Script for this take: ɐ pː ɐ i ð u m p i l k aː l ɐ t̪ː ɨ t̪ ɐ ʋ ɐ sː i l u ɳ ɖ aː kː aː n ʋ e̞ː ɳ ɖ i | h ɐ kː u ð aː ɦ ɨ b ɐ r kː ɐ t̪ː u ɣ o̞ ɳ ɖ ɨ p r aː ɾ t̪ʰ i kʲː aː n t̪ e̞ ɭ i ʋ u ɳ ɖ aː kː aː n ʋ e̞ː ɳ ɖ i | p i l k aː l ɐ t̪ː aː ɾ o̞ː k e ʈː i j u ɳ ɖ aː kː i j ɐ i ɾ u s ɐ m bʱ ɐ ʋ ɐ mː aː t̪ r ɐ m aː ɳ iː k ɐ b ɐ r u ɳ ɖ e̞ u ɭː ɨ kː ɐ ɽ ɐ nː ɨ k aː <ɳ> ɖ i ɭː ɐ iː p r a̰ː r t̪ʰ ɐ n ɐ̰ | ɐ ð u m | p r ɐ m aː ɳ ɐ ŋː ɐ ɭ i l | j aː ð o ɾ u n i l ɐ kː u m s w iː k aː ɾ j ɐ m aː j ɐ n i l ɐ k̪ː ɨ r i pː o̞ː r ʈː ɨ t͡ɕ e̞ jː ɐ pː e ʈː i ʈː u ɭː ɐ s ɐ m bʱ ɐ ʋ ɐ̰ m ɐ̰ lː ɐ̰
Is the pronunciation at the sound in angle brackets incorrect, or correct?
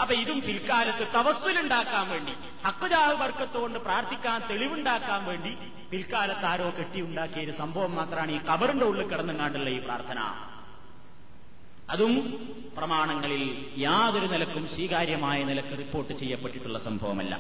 correct